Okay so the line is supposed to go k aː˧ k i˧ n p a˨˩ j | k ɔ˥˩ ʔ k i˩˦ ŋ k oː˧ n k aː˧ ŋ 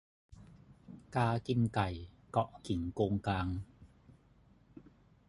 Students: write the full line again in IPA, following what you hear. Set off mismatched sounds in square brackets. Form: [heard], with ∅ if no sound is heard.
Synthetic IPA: k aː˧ k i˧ n [k] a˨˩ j | k [ɔ˨˩] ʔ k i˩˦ ŋ k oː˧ [ŋ] k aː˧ ŋ

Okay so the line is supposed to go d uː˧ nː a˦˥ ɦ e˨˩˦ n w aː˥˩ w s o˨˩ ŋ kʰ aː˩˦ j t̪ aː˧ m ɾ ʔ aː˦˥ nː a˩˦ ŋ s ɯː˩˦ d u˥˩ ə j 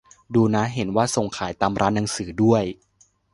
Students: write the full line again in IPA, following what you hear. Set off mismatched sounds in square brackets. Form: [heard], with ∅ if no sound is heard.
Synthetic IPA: d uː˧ [n] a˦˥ ɦ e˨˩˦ n w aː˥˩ [∅] s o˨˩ ŋ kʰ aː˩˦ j t̪ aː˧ m ɾ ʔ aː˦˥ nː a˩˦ ŋ s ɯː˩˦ d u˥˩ ə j

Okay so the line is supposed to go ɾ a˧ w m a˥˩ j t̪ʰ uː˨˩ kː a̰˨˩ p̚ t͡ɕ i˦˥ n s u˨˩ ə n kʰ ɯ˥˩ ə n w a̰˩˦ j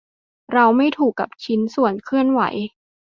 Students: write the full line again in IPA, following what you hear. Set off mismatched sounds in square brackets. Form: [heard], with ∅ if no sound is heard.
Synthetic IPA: ɾ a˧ w m a˥˩ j t̪ʰ uː˨˩ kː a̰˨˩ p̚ [t͡ɕʰ] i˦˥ n s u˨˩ ə n kʰ ɯ˥˩ ə n w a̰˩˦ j

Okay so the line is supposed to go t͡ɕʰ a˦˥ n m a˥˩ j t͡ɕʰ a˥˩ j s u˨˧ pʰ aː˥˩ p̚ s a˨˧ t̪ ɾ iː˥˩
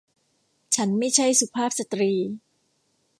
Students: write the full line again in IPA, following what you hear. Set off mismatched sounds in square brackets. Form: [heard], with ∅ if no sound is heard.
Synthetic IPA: t͡ɕʰ a˦˥ n m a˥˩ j t͡ɕʰ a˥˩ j s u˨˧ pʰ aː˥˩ p̚ s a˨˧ t̪ ɾ [iː˧]

